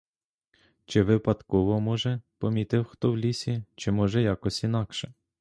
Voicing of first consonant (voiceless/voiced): voiceless